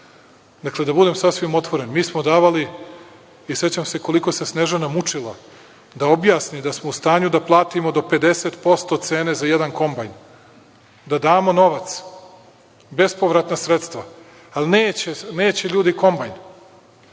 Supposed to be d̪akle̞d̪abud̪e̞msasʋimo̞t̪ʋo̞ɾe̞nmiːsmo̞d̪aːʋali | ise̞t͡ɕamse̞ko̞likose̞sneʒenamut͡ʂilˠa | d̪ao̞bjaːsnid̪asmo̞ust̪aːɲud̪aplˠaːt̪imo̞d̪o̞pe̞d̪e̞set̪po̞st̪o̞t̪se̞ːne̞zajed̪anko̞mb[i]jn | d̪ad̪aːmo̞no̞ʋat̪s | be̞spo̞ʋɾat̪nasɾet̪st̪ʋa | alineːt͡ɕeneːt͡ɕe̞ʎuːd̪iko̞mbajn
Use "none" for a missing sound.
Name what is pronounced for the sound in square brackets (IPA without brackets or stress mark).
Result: a